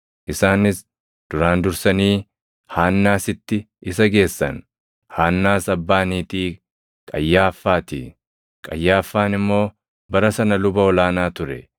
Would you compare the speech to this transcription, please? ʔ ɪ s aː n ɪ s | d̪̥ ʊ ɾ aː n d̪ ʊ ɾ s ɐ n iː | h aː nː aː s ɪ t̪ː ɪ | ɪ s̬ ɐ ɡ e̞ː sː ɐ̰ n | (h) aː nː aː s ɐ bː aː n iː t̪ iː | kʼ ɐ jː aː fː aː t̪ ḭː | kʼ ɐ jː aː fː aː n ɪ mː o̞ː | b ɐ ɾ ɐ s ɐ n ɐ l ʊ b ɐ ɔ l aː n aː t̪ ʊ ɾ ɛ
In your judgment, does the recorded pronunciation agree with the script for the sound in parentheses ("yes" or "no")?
yes